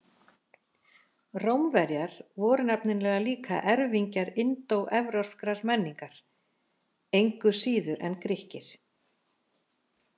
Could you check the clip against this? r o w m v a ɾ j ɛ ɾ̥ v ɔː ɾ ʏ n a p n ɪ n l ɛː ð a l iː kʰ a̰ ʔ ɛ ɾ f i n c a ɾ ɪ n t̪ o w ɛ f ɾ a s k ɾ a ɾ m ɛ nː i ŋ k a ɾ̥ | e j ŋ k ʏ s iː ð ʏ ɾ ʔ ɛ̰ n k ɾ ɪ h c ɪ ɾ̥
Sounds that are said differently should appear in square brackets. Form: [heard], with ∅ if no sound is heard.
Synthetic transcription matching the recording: r o w m v [ɛ] ɾ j [a] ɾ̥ v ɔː ɾ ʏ n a p n ɪ n l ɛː [ɣ] a l iː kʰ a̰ ʔ ɛ ɾ [v] i [ɲ] c a ɾ ɪ n t̪ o w ɛ [v] ɾ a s k ɾ a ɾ m ɛ nː i ŋ k a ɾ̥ | e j ŋ k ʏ s iː ð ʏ ɾ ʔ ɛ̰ n k ɾ ɪ h c ɪ ɾ̥